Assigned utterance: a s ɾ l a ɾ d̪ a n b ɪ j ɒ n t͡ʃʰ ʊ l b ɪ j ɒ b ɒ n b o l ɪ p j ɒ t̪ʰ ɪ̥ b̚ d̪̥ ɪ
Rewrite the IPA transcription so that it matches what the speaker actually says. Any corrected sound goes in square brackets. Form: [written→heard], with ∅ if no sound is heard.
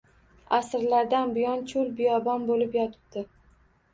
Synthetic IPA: a s ɾ l a ɾ d̪ a n b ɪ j ɒ n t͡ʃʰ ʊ l b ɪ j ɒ b ɒ n b o l ɪ p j ɒ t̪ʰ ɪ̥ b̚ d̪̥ ɪ